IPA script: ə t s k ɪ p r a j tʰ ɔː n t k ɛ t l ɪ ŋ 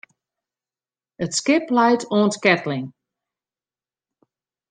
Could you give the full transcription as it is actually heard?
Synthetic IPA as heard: ə t s k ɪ p l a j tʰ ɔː n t k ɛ t l ɪ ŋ